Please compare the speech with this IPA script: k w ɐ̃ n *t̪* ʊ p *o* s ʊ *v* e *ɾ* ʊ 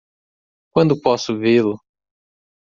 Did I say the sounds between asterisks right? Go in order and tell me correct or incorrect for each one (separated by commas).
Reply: incorrect, incorrect, correct, incorrect